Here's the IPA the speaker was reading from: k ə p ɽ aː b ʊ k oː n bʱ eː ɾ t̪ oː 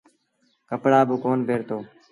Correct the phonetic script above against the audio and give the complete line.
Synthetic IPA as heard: k ə p ɽ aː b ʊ k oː n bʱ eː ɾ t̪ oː